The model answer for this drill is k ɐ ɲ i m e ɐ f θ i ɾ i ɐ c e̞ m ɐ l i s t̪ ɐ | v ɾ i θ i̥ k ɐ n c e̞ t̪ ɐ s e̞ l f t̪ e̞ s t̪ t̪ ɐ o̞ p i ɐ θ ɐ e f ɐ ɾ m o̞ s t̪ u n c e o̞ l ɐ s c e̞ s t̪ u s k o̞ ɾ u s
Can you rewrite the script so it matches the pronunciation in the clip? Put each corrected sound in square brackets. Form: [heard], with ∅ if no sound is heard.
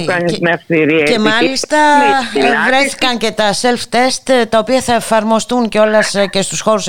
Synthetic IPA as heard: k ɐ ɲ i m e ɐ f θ i ɾ i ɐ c e̞ m ɐ l i s t̪ ɐ | v ɾ [e] θ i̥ k ɐ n c e̞ t̪ ɐ s e̞ l f t̪ e̞ s t̪ t̪ ɐ o̞ p i ɐ θ ɐ e f ɐ ɾ m o̞ s t̪ u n c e o̞ l ɐ s c e̞ s t̪ u s [x] o̞ ɾ u s